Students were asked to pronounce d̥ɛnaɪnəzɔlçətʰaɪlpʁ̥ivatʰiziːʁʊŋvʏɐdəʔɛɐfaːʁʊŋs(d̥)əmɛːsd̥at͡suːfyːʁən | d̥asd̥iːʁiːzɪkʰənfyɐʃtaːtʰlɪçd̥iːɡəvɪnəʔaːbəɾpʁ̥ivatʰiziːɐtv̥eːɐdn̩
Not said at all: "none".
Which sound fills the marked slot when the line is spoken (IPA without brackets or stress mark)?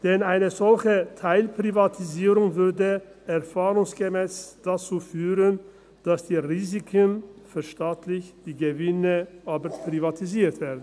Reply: ɡ̥